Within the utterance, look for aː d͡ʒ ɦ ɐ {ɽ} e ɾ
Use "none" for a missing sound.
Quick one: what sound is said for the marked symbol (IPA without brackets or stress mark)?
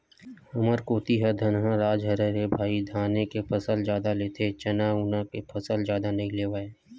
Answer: ɾ